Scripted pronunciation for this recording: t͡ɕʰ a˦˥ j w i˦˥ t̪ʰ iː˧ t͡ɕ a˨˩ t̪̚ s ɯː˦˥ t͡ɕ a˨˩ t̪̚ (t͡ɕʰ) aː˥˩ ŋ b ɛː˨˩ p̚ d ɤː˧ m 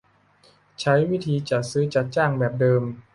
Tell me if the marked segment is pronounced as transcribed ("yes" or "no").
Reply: no